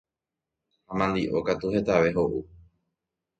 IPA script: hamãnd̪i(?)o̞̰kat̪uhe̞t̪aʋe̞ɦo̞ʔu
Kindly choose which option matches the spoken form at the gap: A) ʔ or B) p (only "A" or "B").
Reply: A